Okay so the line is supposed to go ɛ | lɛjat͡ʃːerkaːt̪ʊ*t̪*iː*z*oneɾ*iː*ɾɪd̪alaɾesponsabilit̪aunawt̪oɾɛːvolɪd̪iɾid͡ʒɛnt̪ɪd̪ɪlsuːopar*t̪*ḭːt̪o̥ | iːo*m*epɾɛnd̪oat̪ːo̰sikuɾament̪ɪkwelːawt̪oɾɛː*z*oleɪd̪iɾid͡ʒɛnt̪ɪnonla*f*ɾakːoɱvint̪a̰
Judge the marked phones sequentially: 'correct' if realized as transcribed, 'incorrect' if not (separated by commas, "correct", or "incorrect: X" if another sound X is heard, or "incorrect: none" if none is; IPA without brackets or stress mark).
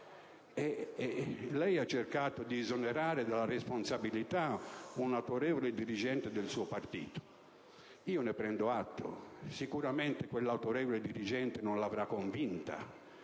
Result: incorrect: d̪, correct, incorrect: aː, correct, incorrect: n, incorrect: v, incorrect: v